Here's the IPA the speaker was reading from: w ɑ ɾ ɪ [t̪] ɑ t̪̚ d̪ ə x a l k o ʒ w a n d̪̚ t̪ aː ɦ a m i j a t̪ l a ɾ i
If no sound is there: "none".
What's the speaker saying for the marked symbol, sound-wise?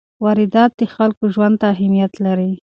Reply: d̪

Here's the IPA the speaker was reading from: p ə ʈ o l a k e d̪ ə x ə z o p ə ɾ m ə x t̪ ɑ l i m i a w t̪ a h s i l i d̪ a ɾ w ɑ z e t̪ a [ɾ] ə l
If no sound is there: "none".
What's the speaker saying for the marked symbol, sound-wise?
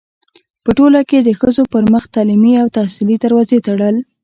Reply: ɽ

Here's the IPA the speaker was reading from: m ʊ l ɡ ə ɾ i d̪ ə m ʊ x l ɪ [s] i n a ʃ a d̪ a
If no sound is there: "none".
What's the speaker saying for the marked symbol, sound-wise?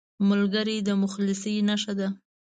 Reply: s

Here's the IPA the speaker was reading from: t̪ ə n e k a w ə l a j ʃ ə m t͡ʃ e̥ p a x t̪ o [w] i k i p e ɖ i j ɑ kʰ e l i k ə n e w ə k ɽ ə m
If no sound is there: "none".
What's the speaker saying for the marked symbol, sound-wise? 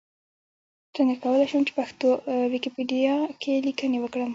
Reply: w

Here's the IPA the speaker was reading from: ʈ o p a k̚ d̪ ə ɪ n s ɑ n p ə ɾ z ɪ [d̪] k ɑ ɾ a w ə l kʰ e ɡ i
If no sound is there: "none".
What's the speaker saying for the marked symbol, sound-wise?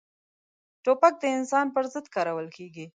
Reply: d̪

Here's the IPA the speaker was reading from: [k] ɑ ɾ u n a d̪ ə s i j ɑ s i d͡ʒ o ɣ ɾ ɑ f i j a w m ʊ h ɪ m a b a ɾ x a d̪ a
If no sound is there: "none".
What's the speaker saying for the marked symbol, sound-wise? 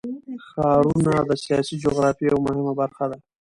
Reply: x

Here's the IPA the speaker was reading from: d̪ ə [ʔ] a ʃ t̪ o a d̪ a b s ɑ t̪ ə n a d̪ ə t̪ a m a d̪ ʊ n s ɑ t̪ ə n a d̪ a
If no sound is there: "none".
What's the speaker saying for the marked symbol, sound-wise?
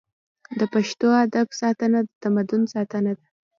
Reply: p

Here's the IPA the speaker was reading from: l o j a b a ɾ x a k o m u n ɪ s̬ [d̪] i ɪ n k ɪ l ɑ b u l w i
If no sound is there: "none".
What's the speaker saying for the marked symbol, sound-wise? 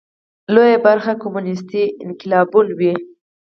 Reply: t̪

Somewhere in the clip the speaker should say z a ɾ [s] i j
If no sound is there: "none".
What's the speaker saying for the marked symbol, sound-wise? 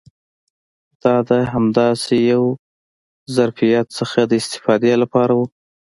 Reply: f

